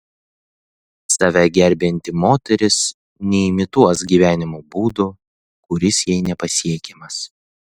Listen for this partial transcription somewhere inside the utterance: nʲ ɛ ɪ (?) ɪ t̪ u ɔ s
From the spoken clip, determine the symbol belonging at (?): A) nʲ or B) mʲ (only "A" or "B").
B